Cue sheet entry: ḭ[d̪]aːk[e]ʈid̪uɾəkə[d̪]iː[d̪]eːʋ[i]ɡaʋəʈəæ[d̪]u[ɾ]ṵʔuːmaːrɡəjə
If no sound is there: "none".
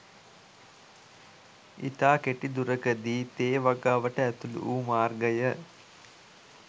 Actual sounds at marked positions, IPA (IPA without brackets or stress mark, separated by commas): t̪, e, d̪, t̪, a, t̪, l